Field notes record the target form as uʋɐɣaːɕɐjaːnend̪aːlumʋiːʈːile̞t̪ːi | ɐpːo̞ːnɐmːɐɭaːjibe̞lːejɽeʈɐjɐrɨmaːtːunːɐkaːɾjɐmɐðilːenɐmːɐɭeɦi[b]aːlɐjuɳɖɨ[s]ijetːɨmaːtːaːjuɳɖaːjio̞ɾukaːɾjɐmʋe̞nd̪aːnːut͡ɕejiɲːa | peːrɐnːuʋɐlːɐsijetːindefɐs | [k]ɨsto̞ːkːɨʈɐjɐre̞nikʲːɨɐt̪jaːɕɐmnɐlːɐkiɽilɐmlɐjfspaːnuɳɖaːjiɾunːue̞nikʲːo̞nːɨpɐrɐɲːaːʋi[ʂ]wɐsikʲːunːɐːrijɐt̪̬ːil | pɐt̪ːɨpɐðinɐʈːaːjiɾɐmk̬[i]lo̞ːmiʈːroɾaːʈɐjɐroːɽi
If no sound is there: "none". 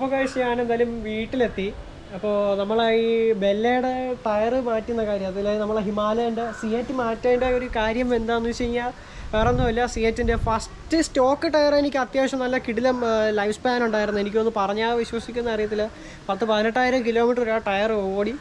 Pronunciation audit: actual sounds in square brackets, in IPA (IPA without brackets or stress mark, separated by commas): m, s, t, ɕ, i